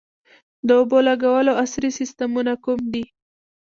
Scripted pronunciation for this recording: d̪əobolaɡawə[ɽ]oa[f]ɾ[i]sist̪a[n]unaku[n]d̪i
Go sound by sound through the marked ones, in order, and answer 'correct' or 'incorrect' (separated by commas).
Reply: incorrect, incorrect, correct, incorrect, incorrect